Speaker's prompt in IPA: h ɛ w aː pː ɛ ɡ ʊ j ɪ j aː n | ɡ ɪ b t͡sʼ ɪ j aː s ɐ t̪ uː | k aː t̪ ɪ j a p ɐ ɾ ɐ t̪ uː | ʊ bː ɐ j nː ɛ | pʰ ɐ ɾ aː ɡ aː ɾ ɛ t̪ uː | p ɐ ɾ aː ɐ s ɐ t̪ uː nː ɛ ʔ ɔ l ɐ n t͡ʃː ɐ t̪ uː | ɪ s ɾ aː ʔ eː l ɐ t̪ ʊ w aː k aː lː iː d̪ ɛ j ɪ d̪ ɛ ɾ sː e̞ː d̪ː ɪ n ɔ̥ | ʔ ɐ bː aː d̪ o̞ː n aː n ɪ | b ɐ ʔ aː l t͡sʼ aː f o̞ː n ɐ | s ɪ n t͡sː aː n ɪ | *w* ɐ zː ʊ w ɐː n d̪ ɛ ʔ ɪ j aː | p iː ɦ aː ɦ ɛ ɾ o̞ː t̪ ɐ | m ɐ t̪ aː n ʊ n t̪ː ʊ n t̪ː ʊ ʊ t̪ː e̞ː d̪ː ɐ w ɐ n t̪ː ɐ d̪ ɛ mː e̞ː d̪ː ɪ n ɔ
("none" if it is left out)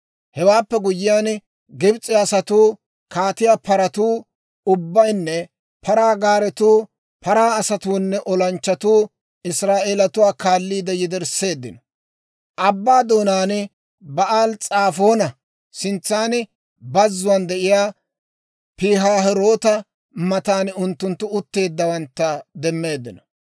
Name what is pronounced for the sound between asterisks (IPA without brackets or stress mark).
b